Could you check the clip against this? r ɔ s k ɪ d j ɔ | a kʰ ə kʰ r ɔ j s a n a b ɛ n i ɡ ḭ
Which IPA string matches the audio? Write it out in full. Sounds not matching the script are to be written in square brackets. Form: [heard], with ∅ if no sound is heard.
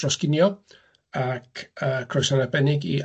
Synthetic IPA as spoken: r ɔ s k ɪ [n] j ɔ | a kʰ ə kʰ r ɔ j s a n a b ɛ n [ɪ] ɡ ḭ